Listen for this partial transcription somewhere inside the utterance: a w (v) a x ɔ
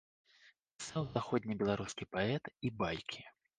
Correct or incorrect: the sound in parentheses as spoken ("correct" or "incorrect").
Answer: incorrect